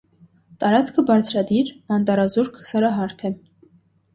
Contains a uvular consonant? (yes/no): no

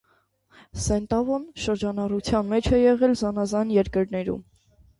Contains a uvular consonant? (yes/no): yes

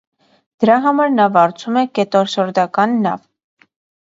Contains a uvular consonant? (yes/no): no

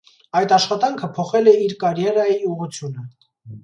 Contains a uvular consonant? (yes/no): yes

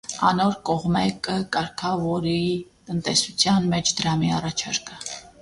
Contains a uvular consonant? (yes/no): yes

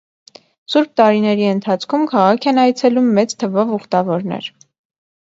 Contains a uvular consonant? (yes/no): yes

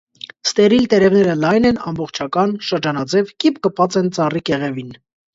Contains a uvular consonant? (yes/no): yes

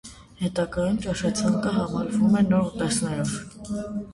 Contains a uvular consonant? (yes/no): no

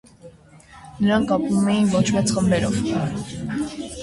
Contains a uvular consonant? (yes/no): yes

